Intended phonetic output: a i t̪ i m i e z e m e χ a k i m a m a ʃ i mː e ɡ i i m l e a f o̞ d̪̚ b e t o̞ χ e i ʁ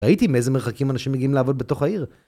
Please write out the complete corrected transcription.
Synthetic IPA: a i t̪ i m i e z e m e χ a k i m a n a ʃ i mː e ɡ i i m l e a v o̞ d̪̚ b e t o̞ χ a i ʁ

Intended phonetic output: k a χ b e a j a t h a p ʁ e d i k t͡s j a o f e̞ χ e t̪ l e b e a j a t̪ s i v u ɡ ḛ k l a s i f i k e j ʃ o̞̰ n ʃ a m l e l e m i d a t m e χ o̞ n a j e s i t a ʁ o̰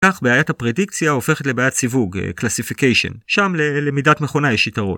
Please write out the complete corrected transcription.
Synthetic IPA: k a χ b e a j a t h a p ʁ e d i k t͡s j a o f e̞ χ e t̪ l e b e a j a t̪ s i v u ɡ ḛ k l a s i f i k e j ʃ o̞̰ n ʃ a m l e l e m i d a t m e χ o̞ n a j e ʃ i t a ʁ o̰

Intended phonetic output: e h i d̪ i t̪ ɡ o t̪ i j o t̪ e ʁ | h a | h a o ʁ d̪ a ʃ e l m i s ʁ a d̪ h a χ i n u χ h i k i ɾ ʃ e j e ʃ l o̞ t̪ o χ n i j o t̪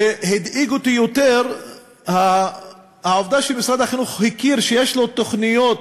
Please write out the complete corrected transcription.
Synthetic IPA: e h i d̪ i ɡ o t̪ i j o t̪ e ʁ | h a | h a o v d̪ a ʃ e l m i s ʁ a d̪ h a χ i n u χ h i k i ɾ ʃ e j e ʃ l o̞ t̪ o χ n i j o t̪

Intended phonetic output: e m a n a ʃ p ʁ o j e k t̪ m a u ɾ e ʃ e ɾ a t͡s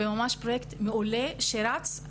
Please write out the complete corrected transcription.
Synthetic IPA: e m a m a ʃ p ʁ o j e k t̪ m e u l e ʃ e ɾ a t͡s

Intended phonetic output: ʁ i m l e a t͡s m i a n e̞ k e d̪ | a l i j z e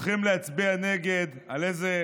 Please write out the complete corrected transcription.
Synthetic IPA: χ i m l e a t͡s b i a n e̞ ɡ e d̪ | a l e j z e

